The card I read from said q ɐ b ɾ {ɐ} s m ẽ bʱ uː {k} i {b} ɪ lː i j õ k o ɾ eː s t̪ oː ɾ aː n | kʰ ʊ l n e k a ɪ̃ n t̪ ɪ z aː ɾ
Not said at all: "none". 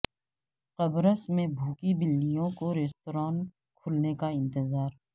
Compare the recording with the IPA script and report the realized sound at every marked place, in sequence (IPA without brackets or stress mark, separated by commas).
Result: ə, k, b